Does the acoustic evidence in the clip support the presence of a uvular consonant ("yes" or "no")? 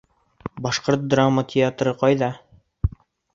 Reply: yes